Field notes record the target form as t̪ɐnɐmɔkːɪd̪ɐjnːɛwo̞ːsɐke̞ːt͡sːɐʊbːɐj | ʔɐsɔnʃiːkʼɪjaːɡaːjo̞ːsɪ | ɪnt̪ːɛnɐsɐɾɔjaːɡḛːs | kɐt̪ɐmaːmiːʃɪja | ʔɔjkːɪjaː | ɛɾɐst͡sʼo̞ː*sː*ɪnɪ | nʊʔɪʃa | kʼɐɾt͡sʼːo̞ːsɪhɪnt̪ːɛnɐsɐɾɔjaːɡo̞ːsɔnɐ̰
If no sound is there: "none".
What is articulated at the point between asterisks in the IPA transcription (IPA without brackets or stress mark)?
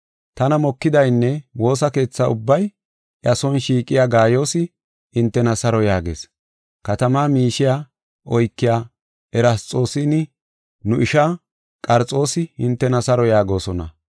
s